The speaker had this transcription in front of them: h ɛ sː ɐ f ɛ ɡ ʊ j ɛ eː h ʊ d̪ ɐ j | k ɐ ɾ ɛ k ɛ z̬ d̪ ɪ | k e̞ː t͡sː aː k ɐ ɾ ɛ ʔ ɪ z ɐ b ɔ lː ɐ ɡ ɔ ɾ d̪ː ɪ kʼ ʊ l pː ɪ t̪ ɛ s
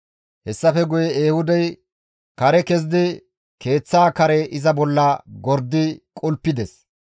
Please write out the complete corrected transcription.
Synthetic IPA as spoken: h ɛ sː ɐ f ɛ ɡ ʊ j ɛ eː h ʊ d̪ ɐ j | k ɐ ɾ ɛ k ɛ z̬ d̪ ɪ | k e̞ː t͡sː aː k ɐ ɾ ɛ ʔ ɪ z ɐ b ɔ lː ɐ ɡ ɔ ɾ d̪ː ɪ kʼ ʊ l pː ɪ d̪ ɛ s